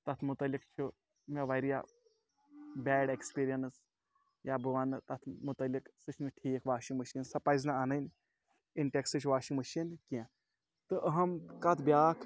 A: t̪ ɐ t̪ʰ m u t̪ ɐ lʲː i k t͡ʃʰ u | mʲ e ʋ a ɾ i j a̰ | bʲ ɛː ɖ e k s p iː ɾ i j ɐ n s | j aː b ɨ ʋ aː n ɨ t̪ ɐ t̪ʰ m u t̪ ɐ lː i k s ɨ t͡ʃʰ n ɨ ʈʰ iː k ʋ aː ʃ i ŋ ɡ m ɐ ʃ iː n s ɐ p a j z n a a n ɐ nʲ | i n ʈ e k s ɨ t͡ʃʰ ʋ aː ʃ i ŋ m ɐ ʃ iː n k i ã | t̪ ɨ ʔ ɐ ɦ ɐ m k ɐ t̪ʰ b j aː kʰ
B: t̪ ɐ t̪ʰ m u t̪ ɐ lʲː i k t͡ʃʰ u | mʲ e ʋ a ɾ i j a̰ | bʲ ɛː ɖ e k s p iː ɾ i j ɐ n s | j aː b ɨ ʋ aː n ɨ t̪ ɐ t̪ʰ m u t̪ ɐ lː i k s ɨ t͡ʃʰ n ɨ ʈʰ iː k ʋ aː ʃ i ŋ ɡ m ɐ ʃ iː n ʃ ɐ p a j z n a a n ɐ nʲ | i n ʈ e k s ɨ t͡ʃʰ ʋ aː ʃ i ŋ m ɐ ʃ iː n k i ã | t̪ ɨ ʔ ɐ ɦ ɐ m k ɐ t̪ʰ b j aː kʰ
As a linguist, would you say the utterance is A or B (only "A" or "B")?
A